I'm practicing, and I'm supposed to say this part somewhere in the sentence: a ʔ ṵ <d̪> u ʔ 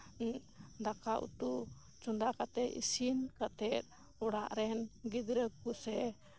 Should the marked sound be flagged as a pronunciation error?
yes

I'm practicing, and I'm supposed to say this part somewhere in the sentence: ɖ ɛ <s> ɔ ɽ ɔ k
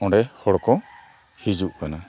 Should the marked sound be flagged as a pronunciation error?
yes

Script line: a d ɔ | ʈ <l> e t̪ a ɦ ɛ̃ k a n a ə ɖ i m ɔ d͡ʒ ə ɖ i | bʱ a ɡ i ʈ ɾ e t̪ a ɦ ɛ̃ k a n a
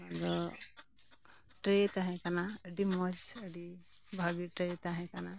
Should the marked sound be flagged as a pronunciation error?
yes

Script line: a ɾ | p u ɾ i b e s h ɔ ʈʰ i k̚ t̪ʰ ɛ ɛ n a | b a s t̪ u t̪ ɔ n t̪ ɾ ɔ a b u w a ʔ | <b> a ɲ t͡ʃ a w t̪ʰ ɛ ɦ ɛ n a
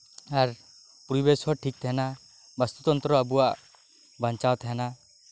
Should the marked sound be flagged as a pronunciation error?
no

